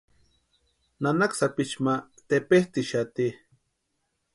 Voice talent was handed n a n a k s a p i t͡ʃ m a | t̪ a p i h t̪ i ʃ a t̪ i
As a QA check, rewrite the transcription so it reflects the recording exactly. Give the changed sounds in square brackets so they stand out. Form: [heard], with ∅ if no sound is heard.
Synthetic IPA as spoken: n a n a k s a p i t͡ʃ m a | t̪ [e] p [e] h t̪ i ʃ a t̪ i